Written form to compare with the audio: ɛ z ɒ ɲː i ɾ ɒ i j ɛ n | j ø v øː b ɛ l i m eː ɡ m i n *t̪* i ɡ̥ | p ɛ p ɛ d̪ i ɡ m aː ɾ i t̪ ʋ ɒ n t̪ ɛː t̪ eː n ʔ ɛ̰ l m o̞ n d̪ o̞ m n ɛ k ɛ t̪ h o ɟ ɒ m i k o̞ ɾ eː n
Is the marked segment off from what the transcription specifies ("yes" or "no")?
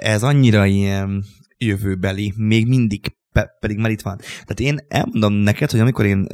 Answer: yes